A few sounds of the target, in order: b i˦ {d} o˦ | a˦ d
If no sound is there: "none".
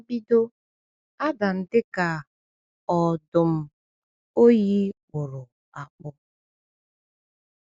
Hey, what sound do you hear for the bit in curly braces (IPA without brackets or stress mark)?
d